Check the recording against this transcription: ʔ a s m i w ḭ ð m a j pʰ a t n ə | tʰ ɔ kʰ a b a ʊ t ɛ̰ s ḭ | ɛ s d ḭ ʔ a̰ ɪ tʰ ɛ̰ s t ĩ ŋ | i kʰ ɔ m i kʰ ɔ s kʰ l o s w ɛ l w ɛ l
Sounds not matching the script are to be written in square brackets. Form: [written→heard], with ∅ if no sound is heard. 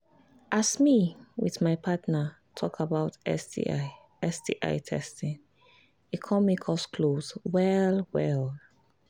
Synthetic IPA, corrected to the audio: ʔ a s m i w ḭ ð m a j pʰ a t n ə | tʰ ɔ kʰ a b a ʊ t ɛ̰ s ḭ | ɛ s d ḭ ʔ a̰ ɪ tʰ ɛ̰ s t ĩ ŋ | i kʰ ɔ m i kʰ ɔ s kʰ l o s w ɛ l w ɛ l